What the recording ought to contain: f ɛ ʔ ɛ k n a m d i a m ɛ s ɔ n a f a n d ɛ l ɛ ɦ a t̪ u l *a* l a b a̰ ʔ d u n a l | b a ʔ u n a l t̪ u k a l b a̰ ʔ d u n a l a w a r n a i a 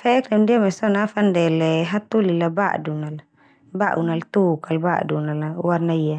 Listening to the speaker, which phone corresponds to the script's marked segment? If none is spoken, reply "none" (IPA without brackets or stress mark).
i